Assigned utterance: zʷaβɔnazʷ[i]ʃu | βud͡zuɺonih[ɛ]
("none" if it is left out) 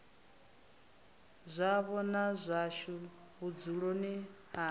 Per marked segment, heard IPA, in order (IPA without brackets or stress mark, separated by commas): a, a